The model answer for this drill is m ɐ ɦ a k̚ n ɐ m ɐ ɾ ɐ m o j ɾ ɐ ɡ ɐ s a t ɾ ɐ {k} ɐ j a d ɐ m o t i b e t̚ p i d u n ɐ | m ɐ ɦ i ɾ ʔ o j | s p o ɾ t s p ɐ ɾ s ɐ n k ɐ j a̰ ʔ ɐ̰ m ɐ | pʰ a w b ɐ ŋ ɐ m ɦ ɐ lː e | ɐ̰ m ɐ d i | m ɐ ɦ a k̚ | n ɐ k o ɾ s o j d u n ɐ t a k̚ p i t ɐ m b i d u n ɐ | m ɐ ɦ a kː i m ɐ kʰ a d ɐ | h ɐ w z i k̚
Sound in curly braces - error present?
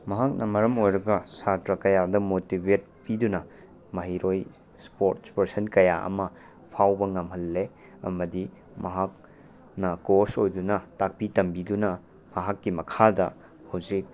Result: no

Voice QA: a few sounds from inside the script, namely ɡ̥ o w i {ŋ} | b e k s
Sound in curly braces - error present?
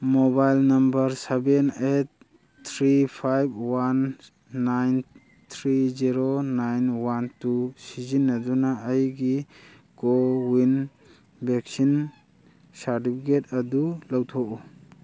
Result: yes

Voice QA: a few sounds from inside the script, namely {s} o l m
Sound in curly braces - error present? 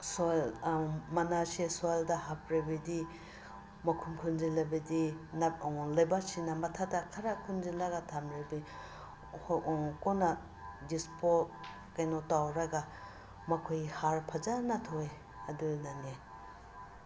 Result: no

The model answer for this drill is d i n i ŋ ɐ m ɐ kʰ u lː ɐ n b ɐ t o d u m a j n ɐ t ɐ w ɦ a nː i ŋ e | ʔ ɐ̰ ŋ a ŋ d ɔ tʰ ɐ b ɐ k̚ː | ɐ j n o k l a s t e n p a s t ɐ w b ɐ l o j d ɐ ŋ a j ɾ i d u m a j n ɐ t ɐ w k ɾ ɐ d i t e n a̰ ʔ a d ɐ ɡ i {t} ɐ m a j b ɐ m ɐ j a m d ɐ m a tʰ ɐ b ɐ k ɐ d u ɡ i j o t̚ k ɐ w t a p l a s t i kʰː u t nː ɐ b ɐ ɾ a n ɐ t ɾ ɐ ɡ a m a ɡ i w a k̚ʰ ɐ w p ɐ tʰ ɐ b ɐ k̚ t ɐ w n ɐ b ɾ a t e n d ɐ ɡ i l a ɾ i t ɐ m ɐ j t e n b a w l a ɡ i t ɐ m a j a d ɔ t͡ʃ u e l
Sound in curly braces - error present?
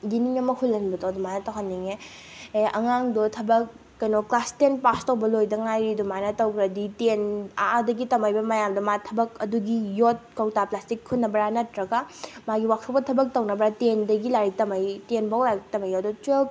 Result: no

